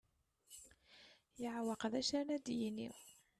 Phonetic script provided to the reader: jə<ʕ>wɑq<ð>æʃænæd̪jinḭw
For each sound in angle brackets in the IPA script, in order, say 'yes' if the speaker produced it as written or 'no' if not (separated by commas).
yes, yes